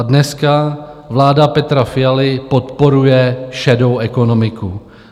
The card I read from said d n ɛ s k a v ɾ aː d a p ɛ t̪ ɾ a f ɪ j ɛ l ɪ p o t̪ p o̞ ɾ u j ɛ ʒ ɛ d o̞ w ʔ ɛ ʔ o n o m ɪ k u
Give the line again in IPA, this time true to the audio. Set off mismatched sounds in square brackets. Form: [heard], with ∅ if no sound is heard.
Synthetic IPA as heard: d n ɛ s k a v [l] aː d a p ɛ t̪ ɾ a f ɪ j [a] l ɪ p o t̪ p o̞ ɾ u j ɛ [ʃ] ɛ d o̞ w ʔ ɛ [k] o n o m ɪ k u